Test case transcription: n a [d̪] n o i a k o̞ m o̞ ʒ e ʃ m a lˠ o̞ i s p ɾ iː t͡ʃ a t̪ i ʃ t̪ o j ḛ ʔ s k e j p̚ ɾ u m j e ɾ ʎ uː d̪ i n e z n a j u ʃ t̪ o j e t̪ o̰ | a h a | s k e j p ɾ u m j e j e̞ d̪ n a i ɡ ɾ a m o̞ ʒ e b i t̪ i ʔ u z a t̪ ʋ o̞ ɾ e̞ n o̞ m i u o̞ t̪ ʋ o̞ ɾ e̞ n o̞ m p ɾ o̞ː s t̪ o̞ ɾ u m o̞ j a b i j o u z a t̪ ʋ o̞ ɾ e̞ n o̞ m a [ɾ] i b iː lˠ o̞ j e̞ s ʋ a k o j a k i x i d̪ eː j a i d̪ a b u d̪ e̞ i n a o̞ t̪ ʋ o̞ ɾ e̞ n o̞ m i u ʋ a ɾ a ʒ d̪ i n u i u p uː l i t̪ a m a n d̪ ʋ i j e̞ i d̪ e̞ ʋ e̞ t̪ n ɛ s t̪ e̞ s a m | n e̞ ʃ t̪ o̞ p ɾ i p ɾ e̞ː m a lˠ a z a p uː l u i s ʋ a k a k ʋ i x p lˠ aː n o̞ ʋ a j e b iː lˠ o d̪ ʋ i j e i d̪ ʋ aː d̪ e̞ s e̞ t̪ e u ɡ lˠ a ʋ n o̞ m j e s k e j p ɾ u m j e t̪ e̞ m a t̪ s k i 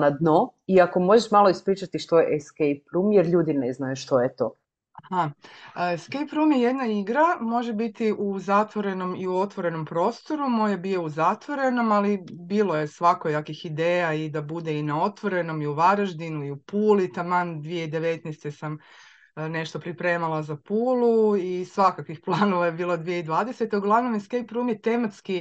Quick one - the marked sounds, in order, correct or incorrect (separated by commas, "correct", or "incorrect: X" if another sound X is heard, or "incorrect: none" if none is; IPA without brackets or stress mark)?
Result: correct, incorrect: l